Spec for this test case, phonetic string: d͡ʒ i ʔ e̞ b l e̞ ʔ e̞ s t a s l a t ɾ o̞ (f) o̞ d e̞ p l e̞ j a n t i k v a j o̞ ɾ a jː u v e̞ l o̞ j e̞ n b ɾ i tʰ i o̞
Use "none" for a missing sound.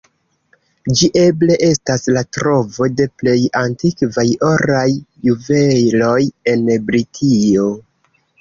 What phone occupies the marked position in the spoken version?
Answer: v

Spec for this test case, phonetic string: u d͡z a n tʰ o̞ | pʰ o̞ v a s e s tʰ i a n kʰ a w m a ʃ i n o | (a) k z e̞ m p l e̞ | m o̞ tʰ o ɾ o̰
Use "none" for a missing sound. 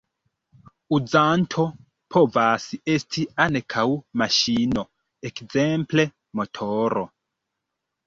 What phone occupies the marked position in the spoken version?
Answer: e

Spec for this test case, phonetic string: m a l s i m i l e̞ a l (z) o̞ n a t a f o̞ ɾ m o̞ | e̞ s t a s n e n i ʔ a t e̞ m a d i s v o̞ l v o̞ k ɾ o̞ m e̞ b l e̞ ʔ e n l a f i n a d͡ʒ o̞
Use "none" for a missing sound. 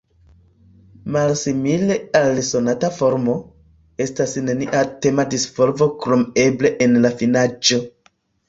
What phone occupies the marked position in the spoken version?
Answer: s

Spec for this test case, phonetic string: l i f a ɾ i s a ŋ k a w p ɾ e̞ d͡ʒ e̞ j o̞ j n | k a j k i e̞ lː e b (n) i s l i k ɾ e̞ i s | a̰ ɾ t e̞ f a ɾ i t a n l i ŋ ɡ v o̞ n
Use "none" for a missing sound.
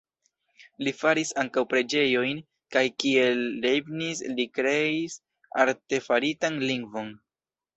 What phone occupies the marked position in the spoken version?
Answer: n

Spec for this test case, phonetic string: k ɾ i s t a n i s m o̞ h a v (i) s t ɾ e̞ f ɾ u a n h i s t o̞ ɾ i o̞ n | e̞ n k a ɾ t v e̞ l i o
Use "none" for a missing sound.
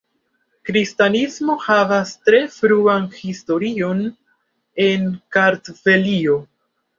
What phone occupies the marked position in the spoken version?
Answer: a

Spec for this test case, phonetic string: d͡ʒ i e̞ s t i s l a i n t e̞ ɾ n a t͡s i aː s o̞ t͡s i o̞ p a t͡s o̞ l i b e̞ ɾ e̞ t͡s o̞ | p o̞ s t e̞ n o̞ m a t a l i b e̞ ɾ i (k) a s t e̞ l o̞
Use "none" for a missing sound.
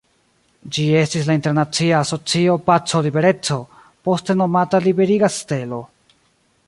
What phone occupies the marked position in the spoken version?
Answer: ɡ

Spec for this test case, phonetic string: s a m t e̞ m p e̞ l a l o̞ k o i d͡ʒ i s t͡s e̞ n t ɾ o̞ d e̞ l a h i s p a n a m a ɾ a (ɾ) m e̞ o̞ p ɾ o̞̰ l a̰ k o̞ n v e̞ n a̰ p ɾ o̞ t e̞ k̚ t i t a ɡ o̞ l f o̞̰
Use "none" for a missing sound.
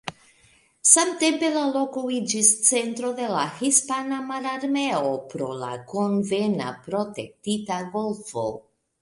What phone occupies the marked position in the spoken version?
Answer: ɾ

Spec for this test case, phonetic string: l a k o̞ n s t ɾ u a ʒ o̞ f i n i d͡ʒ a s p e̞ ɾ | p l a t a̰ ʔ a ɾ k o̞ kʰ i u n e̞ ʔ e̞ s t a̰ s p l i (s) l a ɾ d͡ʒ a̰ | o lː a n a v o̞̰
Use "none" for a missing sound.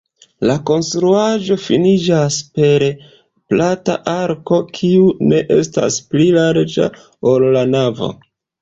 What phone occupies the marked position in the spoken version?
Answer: none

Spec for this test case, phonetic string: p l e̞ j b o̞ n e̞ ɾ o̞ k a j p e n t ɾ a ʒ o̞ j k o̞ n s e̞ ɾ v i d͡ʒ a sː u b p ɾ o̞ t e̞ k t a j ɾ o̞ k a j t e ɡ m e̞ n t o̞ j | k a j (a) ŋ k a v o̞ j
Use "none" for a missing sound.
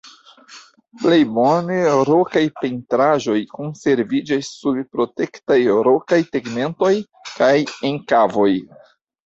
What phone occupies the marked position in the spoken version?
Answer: e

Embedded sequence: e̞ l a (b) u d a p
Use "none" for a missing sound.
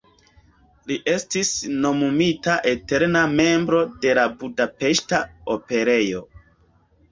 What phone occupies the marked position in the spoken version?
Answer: b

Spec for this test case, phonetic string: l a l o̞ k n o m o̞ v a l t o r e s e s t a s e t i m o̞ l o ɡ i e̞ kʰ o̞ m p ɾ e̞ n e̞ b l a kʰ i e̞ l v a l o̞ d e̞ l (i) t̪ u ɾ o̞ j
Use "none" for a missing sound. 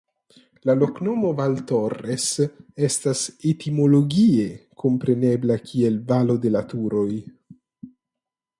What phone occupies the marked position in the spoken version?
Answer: a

